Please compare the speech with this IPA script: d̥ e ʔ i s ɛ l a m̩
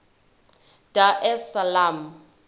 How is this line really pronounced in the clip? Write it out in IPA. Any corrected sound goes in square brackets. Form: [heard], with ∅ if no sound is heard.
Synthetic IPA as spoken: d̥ [a] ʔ [ɛ] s [a] l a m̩